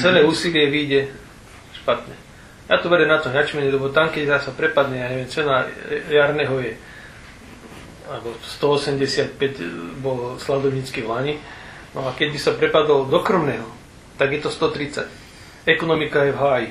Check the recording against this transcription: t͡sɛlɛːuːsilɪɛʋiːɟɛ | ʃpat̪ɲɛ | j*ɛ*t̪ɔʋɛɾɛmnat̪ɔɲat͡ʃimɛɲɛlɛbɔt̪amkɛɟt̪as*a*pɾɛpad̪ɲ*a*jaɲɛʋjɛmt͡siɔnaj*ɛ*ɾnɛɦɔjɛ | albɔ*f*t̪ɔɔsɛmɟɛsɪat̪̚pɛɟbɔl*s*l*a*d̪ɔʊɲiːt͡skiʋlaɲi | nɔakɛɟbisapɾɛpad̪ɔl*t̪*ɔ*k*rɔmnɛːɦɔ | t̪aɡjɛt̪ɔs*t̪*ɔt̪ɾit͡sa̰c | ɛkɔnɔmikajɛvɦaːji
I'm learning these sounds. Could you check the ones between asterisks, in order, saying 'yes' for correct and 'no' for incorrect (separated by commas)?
no, yes, no, no, no, yes, yes, no, yes, yes